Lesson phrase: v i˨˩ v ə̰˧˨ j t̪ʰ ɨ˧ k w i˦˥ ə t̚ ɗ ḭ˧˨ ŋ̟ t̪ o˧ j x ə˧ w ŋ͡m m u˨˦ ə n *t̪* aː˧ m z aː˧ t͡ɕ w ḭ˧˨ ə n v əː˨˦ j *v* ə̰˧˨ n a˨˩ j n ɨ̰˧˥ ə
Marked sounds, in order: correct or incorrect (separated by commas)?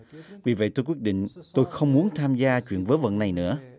incorrect, correct